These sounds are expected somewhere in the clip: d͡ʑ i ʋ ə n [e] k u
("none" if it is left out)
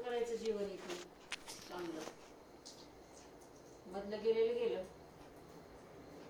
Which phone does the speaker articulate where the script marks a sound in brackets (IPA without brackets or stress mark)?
i